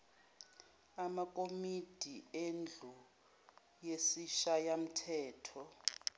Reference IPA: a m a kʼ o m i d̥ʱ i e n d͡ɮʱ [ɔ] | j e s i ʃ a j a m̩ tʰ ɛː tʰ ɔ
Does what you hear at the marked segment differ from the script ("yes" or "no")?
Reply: yes